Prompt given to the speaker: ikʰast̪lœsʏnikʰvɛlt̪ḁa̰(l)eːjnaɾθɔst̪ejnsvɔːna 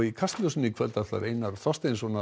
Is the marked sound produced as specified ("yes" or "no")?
no